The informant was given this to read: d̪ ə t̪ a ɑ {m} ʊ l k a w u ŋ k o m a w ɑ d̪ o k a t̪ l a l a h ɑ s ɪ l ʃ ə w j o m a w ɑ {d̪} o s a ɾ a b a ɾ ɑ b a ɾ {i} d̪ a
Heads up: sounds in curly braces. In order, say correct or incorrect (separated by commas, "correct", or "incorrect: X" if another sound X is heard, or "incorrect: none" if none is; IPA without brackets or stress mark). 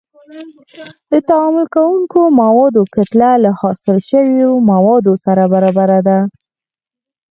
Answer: correct, correct, incorrect: a